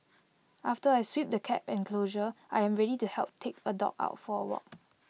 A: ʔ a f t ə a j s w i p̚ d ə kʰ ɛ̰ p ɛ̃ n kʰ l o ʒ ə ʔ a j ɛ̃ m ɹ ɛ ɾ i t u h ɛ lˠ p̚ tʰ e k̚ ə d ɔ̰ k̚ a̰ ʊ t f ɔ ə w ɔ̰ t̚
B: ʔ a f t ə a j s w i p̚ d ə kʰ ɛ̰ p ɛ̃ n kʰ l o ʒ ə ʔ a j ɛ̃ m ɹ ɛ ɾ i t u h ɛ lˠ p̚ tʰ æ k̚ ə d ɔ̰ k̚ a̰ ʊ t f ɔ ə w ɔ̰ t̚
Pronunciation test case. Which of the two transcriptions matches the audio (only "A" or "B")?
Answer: A